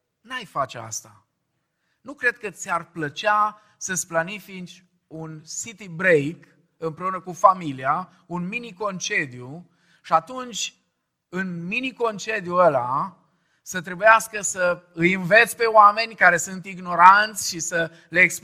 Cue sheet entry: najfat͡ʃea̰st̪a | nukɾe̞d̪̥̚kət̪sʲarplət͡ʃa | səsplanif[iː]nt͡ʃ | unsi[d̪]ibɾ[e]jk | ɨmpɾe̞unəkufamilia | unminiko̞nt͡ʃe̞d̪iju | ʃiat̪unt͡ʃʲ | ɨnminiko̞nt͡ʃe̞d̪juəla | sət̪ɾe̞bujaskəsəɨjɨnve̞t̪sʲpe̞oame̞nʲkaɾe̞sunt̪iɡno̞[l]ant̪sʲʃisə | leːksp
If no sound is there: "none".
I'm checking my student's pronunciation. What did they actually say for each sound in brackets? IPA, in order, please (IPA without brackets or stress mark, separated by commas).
i, t̪, e, ɾ